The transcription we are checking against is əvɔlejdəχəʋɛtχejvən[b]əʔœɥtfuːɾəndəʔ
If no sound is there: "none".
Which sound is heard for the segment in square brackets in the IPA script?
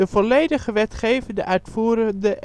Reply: d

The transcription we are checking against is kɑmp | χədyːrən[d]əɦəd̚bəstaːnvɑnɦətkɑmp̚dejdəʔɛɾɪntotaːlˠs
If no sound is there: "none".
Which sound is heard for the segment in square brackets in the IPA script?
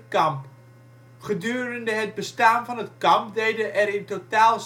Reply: d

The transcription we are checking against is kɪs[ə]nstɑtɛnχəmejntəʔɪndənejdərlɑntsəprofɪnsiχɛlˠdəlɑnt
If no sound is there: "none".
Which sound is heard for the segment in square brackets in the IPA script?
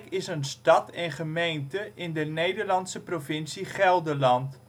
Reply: ə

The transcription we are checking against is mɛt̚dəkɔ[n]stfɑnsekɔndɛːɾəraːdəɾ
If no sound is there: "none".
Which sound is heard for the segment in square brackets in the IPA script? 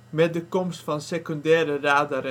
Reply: m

